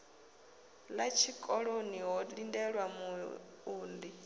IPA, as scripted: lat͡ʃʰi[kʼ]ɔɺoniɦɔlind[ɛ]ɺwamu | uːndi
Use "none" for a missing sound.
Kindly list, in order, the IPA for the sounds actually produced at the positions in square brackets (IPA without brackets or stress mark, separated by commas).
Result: kʼ, ɛ